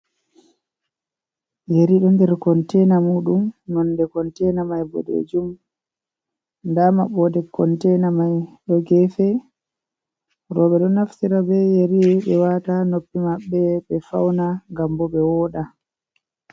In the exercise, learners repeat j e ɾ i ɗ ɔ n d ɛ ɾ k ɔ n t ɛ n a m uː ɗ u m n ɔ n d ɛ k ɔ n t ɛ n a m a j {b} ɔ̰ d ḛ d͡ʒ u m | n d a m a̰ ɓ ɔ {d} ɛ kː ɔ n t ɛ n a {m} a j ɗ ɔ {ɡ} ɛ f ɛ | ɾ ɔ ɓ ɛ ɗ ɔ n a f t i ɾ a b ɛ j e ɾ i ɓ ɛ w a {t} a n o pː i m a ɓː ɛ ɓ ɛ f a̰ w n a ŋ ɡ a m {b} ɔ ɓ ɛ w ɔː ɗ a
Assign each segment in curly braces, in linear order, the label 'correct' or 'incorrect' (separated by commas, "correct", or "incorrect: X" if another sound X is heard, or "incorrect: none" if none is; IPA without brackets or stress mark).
correct, correct, correct, correct, correct, correct